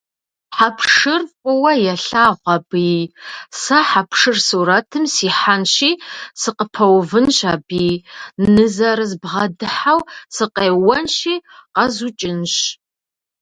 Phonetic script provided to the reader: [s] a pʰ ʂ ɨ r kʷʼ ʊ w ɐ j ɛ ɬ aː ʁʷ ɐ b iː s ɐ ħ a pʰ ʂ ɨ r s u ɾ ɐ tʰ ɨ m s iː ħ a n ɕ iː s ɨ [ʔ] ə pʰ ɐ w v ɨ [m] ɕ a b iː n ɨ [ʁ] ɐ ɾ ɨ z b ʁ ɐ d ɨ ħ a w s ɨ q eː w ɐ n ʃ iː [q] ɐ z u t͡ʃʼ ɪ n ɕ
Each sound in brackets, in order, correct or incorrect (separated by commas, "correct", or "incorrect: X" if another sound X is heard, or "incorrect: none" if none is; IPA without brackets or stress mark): incorrect: ħ, incorrect: q, incorrect: n, incorrect: z, correct